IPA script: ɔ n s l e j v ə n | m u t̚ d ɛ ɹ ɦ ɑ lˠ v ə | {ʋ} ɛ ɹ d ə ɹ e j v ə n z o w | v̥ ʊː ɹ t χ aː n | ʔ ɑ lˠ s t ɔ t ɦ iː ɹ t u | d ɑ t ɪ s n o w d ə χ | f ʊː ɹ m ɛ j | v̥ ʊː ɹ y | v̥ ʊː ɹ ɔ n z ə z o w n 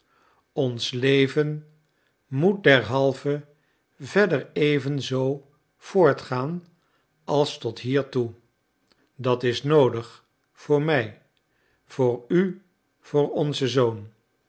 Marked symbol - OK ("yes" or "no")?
no